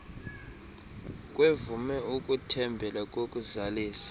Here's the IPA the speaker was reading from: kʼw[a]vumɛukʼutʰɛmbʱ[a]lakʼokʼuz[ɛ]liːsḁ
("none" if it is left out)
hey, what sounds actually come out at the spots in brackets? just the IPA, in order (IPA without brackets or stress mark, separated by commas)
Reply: e, ɛ, a